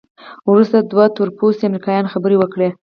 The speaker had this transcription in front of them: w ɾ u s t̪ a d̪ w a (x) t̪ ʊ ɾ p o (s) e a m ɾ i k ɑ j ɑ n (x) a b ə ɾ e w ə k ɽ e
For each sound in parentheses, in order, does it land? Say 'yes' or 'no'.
no, yes, yes

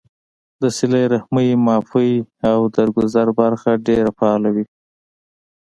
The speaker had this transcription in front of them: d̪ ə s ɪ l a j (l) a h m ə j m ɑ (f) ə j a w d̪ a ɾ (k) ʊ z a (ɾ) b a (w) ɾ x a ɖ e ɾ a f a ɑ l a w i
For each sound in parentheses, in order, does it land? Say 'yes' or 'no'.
no, yes, no, yes, no

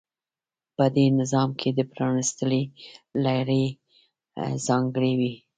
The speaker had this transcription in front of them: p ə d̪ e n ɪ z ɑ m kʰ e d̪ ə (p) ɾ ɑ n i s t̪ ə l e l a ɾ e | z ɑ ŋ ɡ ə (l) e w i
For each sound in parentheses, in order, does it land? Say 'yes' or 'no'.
yes, no

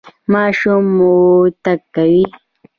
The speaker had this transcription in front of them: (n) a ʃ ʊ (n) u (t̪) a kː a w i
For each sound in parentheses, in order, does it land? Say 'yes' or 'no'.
no, no, yes

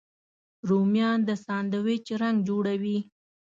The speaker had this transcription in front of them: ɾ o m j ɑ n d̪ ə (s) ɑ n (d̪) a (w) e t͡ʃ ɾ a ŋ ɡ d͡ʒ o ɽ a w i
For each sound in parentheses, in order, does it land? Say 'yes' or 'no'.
yes, yes, yes

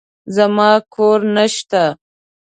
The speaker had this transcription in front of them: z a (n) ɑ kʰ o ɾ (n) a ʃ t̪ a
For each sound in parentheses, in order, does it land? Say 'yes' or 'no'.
no, yes

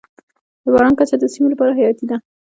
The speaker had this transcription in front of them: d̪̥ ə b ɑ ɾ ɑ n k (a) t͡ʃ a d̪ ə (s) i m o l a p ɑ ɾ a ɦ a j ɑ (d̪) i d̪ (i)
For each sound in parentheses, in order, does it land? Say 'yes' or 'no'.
yes, yes, no, no

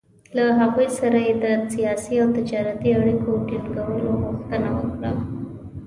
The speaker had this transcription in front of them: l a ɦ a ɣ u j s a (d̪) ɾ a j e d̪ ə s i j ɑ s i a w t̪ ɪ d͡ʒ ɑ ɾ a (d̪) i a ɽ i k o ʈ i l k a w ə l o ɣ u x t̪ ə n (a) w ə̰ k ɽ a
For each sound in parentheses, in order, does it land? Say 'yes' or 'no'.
no, no, yes

